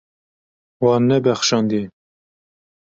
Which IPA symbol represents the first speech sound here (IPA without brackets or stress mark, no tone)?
w